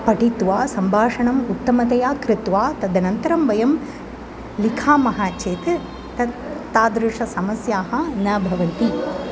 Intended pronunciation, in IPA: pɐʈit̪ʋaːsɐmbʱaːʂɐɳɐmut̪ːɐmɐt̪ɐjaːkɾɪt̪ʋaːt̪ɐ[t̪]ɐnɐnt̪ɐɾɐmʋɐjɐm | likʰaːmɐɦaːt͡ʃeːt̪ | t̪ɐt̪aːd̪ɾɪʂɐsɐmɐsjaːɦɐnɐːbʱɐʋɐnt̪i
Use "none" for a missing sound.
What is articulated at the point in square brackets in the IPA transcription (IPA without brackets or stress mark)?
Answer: d̪